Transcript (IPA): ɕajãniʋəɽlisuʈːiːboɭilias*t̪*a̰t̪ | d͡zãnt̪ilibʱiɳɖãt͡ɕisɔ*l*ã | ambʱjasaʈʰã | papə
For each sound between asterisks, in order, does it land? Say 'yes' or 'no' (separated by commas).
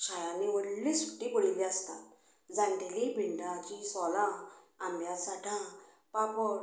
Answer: yes, yes